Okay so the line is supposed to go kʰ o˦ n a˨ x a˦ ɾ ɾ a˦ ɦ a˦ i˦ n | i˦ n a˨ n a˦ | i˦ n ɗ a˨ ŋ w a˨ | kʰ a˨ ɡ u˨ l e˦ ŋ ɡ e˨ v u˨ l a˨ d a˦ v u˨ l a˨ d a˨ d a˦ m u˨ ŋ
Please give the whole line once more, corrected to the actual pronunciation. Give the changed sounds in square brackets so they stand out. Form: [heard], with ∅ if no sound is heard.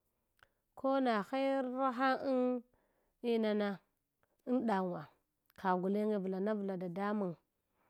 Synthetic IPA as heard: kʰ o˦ n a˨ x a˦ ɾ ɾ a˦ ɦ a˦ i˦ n | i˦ n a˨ n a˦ | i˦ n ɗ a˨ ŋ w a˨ | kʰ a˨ ɡ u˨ l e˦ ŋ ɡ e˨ v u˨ l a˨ [n] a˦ v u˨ l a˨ d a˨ d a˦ m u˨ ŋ